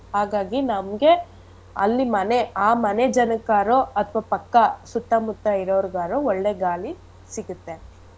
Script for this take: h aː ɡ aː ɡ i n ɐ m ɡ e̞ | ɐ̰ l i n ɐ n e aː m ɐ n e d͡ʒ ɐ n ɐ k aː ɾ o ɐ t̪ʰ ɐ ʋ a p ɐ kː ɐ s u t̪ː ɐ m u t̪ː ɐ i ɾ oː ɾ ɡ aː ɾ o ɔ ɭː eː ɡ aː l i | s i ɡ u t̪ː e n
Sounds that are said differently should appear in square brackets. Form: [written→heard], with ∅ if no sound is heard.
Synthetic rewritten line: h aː ɡ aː ɡ i n ɐ m ɡ e̞ | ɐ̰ [l→lː] i [n→m] ɐ n e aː m ɐ n e d͡ʒ ɐ n ɐ k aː ɾ o ɐ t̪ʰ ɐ ʋ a p ɐ kː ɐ s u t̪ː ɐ m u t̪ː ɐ i ɾ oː ɾ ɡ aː ɾ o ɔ ɭː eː ɡ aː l i | s i ɡ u t̪ː e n